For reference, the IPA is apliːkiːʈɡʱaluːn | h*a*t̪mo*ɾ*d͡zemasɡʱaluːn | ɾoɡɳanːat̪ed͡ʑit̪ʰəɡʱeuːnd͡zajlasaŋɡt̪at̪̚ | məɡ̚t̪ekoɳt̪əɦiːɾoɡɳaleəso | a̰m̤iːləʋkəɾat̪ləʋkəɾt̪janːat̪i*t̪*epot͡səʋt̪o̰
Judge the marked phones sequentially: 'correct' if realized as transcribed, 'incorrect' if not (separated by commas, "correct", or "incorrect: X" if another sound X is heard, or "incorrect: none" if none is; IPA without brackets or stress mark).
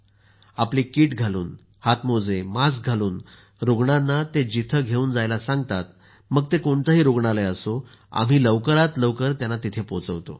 correct, incorrect: none, incorrect: t̪ʰ